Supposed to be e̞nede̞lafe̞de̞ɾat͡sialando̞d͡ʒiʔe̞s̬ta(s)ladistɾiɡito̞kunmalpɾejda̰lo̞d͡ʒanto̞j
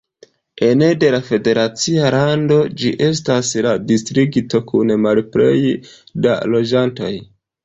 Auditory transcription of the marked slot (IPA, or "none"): s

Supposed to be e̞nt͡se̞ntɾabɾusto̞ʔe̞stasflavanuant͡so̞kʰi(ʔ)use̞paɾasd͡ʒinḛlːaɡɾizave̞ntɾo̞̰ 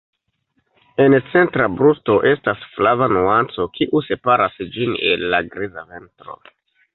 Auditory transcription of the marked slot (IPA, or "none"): ʔ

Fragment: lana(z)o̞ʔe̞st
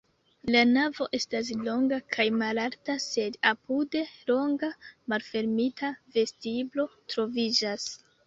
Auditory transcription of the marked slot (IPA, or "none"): v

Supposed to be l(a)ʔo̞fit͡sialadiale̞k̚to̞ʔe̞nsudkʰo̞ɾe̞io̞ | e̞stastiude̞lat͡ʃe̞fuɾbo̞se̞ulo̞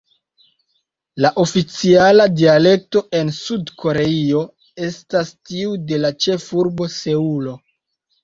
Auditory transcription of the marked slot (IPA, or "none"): a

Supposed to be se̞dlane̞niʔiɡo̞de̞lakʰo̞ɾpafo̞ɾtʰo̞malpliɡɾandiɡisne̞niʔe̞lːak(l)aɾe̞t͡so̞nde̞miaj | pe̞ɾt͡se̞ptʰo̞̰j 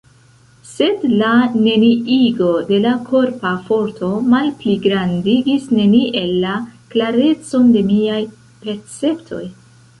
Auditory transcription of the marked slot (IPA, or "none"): l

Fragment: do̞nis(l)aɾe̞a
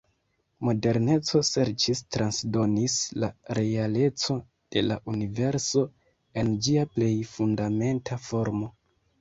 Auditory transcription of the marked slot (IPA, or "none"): l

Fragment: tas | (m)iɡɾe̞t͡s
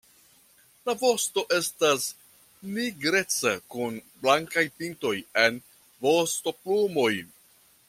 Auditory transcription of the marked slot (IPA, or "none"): n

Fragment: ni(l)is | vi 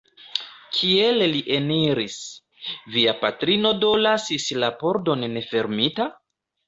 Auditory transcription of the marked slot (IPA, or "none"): ɾ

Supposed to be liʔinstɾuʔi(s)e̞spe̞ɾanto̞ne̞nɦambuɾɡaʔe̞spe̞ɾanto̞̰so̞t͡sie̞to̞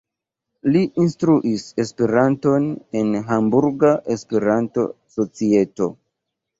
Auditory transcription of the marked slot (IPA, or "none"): s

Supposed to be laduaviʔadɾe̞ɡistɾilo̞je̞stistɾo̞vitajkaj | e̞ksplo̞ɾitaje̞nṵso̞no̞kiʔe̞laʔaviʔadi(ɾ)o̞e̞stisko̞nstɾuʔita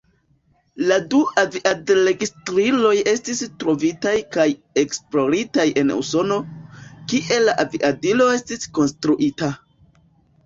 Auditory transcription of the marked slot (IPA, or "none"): l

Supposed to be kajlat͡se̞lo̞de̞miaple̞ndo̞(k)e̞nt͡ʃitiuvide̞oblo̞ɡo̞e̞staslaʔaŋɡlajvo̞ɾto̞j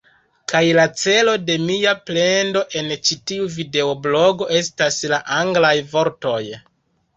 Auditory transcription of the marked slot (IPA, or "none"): ʔ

